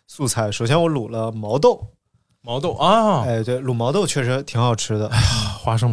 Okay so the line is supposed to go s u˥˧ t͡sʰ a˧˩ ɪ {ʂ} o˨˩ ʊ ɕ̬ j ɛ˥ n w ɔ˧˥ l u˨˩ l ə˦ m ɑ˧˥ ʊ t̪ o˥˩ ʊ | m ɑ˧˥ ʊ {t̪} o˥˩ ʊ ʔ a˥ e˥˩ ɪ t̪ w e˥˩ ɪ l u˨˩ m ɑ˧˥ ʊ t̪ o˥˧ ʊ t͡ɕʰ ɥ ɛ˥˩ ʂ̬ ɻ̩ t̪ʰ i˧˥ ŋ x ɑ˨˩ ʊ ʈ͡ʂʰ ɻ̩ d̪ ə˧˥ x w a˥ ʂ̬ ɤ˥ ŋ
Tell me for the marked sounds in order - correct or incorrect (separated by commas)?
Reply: correct, correct